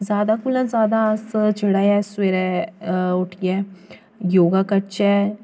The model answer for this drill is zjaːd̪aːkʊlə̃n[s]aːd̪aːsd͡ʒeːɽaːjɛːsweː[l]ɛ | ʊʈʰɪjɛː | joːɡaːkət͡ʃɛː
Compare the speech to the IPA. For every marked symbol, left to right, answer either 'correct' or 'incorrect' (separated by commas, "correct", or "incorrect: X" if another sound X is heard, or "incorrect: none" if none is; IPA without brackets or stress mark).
incorrect: z, incorrect: ɾ